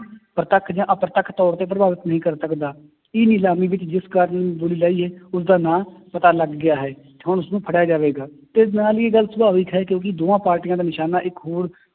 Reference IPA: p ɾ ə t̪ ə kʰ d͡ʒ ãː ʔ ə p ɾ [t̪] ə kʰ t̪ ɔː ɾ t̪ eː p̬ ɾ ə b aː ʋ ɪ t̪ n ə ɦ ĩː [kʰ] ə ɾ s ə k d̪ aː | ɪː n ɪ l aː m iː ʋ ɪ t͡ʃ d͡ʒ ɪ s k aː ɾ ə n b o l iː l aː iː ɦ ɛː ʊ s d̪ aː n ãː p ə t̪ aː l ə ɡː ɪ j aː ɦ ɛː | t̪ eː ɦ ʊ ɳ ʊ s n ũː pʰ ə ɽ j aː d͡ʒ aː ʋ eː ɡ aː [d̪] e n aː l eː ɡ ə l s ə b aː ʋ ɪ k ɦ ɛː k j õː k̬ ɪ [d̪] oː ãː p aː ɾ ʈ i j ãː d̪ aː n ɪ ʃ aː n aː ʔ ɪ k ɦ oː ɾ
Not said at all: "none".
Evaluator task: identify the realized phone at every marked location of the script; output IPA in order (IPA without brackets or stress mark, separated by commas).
t̪, k, t̪, d̪